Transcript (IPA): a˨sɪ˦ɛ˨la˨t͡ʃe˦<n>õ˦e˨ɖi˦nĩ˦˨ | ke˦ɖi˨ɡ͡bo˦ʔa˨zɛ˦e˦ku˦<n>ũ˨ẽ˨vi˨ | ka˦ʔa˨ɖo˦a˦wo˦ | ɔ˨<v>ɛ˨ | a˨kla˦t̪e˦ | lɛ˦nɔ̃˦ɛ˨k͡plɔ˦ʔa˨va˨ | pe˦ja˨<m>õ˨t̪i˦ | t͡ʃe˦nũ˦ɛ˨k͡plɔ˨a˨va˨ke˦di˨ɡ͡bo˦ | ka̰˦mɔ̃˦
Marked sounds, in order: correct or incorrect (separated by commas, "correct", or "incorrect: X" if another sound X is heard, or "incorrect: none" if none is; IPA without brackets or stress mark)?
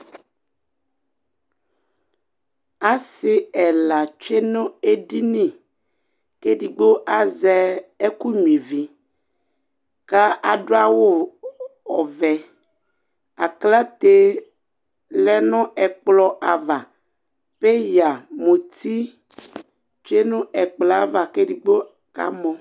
correct, incorrect: ɲ, correct, correct